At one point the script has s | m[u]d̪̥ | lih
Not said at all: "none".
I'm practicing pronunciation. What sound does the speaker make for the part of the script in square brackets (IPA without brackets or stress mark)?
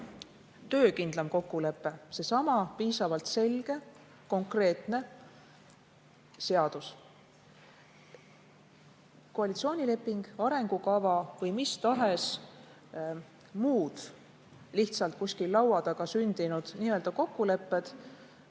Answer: uː